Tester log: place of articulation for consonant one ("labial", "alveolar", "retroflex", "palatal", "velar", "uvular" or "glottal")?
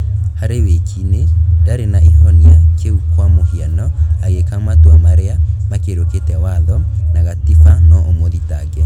glottal